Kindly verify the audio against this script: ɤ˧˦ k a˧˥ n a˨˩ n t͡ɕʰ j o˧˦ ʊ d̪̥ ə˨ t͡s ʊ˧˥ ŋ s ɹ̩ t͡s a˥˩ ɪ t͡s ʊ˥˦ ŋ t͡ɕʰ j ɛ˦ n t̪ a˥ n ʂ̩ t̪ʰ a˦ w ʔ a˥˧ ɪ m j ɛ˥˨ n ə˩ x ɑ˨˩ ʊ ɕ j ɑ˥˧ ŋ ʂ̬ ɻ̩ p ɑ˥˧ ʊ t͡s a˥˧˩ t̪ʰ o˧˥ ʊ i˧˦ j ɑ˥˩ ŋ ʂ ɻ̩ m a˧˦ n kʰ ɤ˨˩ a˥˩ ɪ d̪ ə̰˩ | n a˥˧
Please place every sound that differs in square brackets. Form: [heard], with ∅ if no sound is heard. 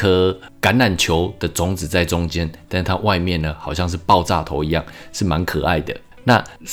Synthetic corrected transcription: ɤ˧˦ k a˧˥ n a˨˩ n t͡ɕʰ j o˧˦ ʊ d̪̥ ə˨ t͡s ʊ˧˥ ŋ [t͡s] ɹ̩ t͡s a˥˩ ɪ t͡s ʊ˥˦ ŋ [t͡ɕ] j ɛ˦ n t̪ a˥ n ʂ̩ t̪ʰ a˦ w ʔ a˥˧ ɪ m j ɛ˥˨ n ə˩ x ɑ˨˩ ʊ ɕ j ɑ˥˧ ŋ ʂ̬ ɻ̩ p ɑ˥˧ ʊ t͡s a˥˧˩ t̪ʰ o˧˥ ʊ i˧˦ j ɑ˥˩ ŋ ʂ ɻ̩ m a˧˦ n kʰ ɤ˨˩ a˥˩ ɪ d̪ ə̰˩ | n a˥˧